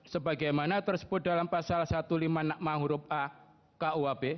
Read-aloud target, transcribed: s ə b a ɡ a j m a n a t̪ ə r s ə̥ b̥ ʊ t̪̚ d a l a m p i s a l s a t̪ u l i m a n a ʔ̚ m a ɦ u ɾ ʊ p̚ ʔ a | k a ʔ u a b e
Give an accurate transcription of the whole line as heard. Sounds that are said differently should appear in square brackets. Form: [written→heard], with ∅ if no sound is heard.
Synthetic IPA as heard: s ə b a ɡ a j m a n a t̪ ə r s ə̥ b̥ ʊ t̪̚ d a l a m p [i→a] s a l s a t̪ u l i m a n a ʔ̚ m a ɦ u ɾ ʊ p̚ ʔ a | k a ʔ u a b e